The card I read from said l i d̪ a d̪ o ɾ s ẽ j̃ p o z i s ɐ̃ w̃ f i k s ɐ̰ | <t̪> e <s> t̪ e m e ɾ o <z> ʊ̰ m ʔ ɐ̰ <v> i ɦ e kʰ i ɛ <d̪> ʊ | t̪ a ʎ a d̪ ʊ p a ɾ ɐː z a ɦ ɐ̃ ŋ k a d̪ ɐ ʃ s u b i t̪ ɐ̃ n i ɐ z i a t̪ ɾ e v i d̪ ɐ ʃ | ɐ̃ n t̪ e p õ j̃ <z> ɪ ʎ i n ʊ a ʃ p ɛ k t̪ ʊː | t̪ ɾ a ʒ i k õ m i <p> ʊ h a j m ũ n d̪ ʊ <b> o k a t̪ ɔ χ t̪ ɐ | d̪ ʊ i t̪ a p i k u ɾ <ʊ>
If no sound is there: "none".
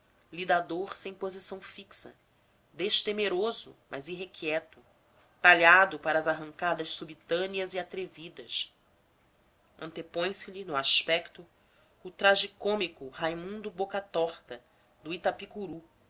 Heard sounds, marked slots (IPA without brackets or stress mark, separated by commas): d̪, ʃ, z, z, t̪, s, k, b, u